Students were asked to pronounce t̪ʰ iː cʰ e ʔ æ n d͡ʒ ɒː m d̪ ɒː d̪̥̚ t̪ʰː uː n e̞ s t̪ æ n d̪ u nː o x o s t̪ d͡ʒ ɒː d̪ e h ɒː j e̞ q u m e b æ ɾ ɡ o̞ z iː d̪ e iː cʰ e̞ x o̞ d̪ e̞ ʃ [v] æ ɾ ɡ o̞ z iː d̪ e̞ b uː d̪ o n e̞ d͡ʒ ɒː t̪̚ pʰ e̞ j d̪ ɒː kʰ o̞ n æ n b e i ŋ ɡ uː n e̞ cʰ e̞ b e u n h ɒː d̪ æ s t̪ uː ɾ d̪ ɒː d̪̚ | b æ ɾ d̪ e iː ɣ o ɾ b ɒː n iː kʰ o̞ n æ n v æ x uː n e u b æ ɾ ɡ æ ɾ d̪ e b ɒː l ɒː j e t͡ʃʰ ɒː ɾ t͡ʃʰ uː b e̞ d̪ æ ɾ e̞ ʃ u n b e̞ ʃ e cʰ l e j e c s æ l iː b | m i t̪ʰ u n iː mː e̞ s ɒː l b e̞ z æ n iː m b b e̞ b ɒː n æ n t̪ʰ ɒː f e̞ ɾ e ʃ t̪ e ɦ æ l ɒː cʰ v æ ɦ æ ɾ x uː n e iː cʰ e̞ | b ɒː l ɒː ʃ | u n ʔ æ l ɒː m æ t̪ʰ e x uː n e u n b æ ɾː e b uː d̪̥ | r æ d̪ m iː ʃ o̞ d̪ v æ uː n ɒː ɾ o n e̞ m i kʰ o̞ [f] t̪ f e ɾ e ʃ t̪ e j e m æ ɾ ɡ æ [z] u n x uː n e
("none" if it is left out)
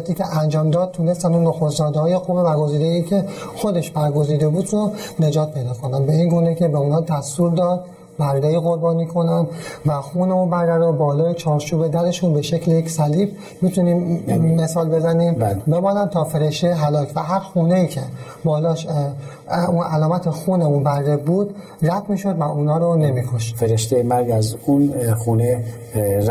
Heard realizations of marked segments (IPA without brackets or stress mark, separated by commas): b, ʃ, z